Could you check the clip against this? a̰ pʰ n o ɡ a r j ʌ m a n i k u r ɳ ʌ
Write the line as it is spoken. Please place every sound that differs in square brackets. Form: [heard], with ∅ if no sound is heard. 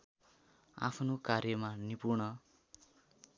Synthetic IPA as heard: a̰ pʰ n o [k] a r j ʌ m a n i [p] u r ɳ ʌ